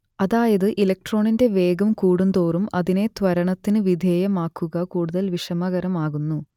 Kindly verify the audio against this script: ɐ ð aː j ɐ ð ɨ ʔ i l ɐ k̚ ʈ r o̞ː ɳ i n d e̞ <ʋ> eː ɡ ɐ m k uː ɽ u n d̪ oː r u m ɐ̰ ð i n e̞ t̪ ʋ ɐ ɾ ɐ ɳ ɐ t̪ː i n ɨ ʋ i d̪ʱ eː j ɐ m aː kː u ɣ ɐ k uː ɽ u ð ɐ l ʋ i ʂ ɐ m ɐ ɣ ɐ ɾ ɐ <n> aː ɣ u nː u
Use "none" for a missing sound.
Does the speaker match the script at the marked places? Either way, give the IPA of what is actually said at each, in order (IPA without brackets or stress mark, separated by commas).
ʋ, m